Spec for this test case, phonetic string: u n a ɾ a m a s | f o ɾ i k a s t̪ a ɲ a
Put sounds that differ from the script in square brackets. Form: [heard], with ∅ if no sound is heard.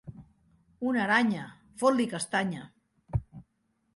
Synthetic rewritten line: u n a ɾ a [ɲ] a [∅] | f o [l] i k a s t̪ a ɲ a